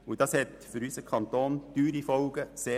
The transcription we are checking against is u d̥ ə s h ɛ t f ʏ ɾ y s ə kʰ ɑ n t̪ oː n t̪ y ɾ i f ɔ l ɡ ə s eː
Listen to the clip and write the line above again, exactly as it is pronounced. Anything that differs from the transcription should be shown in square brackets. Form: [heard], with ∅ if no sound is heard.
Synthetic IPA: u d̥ [ɑ] s h ɛ t f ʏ ɾ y s ə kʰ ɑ n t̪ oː n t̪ [yː] ɾ i f ɔ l ɡ ə s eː